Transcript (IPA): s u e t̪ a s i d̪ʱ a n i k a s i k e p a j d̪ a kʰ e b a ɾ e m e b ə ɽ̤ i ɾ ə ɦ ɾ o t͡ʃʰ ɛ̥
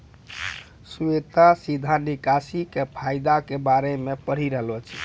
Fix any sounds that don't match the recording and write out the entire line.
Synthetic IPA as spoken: s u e t̪ a s i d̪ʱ a n i k a s i k e pʰ a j d̪ a k e b a ɾ e m e p ə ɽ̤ i ɾ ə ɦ l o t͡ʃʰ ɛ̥

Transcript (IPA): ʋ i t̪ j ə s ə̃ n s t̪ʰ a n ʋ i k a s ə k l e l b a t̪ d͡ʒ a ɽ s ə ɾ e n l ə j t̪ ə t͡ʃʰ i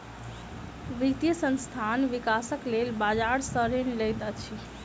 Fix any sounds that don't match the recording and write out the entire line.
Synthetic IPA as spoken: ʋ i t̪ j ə s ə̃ n s t̪ʰ a n ʋ i k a s ə k l e l b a d͡ʒ a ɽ s ə ɾ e n l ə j t̪ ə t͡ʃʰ i

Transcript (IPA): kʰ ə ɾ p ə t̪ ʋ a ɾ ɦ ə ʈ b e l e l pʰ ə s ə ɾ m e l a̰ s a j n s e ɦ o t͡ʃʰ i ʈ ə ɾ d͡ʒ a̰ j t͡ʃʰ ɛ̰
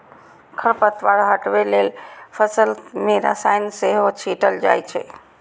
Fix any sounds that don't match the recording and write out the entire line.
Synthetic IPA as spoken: kʰ ə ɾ p ə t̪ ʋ a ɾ ɦ ə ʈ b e l e l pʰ ə s ə l m e ɾ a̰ s a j n s e ɦ o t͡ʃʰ i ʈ ə l d͡ʒ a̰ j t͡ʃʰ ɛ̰

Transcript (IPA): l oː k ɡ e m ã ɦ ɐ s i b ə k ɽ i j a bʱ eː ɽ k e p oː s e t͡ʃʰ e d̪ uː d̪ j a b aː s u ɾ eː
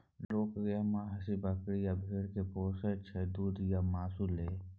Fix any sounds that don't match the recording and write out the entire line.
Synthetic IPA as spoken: l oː k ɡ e m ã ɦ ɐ s i b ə k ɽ i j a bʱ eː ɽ k e p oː s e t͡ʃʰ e d̪ uː d̪ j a m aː s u l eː

